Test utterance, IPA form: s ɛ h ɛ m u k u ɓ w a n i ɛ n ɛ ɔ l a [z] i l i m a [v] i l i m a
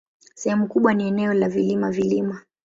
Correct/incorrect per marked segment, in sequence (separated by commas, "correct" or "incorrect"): incorrect, correct